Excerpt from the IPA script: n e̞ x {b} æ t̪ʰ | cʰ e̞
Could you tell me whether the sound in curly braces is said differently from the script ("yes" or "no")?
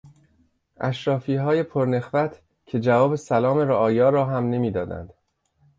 yes